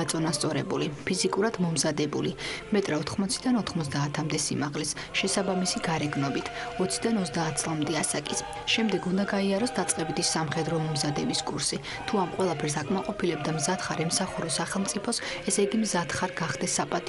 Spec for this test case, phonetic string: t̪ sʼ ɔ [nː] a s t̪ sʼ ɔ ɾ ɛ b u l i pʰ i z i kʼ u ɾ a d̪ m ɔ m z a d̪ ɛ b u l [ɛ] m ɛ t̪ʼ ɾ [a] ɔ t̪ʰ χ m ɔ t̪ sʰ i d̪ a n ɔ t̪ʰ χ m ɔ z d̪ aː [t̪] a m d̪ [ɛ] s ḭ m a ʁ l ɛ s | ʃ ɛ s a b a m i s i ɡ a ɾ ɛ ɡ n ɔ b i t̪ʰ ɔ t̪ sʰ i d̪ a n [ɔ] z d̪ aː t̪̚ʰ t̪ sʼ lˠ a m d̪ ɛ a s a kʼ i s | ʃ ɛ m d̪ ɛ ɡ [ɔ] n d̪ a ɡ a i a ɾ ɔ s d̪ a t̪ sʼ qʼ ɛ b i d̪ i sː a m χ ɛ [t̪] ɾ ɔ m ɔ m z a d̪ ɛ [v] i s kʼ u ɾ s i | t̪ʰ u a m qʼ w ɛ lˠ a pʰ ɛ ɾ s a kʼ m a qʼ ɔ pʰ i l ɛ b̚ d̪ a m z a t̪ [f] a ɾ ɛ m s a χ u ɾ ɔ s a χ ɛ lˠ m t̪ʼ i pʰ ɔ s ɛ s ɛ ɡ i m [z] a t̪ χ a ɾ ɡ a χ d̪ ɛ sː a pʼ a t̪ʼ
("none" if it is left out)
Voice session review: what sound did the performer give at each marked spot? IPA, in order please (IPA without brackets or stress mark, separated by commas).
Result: n, i, a, t̪ʰ, ɛ, ɔ, u, d̪, b, χ, z